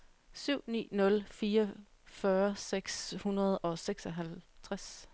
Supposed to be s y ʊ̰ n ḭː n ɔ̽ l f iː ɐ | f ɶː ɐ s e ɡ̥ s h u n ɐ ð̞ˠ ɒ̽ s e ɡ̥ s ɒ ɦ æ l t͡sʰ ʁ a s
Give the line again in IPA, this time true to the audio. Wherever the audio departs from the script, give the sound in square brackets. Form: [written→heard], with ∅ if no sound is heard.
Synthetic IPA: s y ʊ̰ n ḭː n ɔ̽ l f iː ɐ | f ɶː ɐ s e ɡ̥ s h u n ɐ ð̞ˠ ɒ̽ s e ɡ̥ s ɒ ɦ æ l t͡sʰ ʁ a s